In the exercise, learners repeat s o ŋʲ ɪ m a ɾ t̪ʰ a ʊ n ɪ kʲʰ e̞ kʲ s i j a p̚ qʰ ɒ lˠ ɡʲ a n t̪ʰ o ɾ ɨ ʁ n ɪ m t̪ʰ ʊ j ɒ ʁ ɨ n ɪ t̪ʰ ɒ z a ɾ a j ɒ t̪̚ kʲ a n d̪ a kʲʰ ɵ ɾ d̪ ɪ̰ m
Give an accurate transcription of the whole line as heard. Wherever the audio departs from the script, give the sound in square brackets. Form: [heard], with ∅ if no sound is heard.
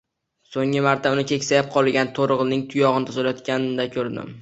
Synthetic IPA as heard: s o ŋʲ ɪ m a ɾ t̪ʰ a ʊ n ɪ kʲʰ e̞ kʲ s [a] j a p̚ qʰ ɒ lˠ ɡʲ a n t̪ʰ o ɾ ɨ ʁ n ɪ [ŋ] t̪ʰ ʊ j ɒ ʁ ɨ n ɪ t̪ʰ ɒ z a [l] a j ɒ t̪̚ kʲ a n d̪ a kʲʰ ɵ ɾ d̪ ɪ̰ m